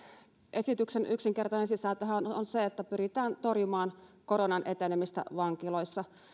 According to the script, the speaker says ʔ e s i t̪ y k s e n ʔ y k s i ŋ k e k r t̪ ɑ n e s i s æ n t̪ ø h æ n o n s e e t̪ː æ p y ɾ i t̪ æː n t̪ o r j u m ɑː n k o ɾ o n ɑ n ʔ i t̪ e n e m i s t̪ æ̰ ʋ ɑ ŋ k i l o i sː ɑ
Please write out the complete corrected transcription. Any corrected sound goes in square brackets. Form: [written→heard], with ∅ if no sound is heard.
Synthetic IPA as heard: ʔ e s i t̪ y k s e n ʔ y k s i ŋ k e [k→∅] r t̪ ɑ n e s i s æ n t̪ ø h æ n o n s e e t̪ː æ p y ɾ i t̪ æː n t̪ o r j u m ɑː n k o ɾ o n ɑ n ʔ [i→e] t̪ e n e m i s t̪ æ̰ ʋ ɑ ŋ k i l o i sː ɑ